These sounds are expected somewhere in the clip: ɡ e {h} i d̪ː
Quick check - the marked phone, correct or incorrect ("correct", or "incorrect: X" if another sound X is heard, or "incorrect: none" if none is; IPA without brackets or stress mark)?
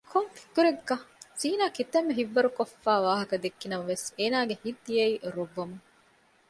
correct